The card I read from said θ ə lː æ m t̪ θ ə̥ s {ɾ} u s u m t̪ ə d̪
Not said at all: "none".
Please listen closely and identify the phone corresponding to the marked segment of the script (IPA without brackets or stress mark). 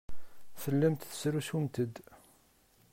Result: ɾ